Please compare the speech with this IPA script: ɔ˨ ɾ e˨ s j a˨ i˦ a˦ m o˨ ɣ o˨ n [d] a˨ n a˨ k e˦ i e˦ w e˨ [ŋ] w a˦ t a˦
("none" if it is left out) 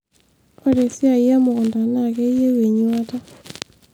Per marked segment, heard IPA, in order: d, ɲ

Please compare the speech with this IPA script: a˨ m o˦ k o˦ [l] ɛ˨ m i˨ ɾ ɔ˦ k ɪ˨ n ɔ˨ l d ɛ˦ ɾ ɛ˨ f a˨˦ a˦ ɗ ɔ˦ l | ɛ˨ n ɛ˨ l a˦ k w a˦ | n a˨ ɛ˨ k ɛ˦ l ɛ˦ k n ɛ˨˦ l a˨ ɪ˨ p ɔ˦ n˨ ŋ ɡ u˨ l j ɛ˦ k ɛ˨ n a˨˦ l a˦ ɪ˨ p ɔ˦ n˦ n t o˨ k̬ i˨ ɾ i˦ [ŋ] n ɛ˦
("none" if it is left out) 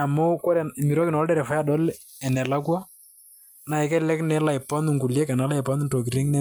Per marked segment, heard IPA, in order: ɾ, ŋ

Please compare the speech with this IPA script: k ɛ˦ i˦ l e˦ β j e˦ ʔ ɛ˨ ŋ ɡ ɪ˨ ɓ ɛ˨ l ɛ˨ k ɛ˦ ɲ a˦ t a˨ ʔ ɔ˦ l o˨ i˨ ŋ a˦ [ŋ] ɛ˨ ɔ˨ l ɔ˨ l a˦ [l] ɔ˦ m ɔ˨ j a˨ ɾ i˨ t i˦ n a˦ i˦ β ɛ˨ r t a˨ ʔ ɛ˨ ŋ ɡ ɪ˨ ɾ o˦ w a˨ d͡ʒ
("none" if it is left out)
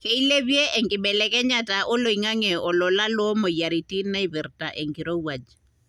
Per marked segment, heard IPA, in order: ŋ, l

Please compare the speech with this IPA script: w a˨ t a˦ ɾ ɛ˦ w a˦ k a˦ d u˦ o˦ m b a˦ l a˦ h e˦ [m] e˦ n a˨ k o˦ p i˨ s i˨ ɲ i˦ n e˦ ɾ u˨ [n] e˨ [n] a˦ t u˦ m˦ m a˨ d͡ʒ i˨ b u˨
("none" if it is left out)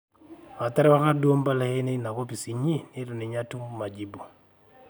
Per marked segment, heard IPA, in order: n, n, ɲ

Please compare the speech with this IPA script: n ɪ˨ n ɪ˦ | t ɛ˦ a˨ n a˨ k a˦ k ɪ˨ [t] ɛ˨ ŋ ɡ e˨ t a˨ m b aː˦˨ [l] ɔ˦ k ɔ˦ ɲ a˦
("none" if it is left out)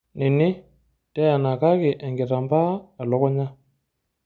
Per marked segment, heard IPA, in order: ʔ, l

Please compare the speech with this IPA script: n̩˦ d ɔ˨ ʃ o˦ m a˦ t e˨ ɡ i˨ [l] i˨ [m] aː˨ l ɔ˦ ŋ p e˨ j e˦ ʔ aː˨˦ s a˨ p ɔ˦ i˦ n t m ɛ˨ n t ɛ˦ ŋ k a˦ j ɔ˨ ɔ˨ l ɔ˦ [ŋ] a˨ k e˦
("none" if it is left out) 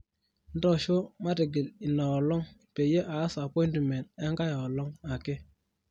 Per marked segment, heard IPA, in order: l, n, ŋ

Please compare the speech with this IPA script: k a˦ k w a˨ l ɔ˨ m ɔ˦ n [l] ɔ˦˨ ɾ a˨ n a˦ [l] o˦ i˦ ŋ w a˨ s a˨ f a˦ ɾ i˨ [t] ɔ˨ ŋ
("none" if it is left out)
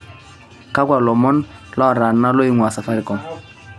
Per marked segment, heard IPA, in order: l, l, k

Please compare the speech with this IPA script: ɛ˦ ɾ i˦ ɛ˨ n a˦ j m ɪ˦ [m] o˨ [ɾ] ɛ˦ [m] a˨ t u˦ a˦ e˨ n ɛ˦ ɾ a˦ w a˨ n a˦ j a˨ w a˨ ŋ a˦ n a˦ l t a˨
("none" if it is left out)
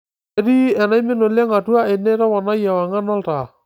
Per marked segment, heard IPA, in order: n, l, ŋ

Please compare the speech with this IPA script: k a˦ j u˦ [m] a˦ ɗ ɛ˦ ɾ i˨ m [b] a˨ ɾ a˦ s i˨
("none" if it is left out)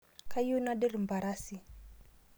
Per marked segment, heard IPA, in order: n, b

